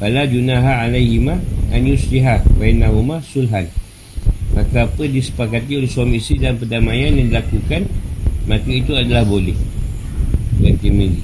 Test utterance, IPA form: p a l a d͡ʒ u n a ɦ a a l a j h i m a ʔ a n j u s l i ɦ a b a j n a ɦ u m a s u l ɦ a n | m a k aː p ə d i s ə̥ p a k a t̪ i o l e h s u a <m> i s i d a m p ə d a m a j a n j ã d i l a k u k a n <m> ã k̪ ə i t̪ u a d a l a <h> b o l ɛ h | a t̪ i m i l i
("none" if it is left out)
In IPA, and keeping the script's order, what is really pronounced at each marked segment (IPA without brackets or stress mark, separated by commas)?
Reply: m, m, h